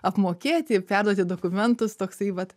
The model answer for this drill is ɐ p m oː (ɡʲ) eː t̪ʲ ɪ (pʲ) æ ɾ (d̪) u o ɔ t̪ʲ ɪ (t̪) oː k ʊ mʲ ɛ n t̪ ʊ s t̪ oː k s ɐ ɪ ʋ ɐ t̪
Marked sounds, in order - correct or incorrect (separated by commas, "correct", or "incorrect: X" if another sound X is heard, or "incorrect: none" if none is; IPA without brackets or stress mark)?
incorrect: kʲ, correct, correct, incorrect: d̪